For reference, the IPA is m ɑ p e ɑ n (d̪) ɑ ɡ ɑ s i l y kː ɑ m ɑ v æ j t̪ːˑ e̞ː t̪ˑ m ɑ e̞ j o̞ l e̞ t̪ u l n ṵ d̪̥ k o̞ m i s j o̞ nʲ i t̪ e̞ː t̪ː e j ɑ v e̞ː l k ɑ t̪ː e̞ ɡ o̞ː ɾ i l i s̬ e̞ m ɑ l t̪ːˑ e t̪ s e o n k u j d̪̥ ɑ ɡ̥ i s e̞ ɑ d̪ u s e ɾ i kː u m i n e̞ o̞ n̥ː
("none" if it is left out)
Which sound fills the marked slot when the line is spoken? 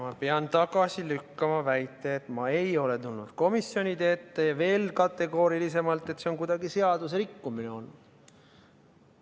t̪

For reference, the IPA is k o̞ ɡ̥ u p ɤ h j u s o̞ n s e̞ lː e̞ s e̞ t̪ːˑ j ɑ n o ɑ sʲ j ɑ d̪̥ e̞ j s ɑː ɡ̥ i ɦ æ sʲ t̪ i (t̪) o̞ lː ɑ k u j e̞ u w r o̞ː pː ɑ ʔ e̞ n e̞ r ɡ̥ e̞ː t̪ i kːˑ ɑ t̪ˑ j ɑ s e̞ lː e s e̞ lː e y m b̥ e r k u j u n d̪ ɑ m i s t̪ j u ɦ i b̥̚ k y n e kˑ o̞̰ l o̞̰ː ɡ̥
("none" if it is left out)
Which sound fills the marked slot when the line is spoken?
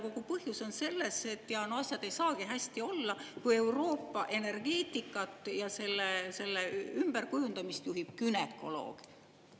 none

